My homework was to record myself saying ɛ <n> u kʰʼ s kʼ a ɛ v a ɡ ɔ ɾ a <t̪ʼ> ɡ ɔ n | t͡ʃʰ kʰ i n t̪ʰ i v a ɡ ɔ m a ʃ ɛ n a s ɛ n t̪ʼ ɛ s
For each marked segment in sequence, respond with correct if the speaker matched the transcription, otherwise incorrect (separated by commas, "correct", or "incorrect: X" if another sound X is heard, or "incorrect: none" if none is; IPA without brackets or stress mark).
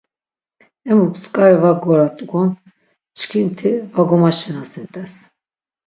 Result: incorrect: m, correct